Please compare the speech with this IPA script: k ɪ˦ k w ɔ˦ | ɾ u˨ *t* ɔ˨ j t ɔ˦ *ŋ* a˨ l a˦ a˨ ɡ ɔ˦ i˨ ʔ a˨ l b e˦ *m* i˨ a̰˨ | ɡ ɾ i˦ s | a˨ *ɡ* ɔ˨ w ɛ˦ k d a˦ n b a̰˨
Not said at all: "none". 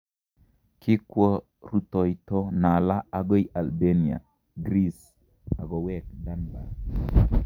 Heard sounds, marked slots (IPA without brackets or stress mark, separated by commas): t, n, n, ɡ